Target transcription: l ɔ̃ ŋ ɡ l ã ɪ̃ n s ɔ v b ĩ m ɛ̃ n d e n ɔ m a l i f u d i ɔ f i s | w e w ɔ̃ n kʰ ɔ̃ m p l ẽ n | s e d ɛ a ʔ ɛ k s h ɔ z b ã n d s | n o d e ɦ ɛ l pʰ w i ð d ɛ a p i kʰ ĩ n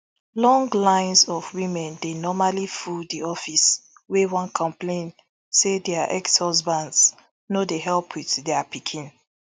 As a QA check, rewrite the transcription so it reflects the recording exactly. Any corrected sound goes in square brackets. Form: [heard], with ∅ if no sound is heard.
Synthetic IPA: l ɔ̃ ŋ ɡ l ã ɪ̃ n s ɔ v [w] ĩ m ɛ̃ n d e n ɔ m a l i f u d i ɔ f i s | w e w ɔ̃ n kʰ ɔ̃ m p l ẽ n | s e d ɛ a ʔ ɛ k s h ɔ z b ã n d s | n o d e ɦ ɛ l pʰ w i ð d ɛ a p i kʰ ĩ n